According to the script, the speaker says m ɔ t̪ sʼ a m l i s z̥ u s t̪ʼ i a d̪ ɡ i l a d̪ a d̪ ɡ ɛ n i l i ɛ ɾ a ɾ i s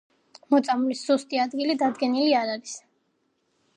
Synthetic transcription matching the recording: m ɔ t̪ sʼ a m l i s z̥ u s t̪ʼ i a d̪ ɡ i l i d̪ a d̪ ɡ ɛ n i l i a ɾ a ɾ i s